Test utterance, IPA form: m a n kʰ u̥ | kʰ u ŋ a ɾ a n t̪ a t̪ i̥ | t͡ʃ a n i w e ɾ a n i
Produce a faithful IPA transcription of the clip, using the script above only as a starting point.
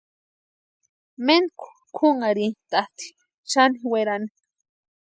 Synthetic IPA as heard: m e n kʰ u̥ | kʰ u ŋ a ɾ i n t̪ a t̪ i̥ | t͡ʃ a n i w e ɾ a n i